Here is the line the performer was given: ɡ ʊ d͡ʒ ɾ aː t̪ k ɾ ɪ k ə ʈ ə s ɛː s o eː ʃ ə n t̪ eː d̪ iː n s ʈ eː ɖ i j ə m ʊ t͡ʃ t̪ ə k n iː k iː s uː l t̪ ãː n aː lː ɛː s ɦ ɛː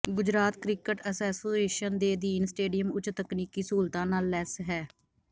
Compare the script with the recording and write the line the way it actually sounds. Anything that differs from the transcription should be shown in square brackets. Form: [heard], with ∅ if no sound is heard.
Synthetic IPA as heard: ɡ ʊ d͡ʒ ɾ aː t̪ k ɾ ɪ k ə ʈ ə s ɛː s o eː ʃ ə n [d̪] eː d̪ iː n s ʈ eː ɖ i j ə m ʊ t͡ʃ t̪ ə k n iː k iː s uː l t̪ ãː n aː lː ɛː s ɦ ɛː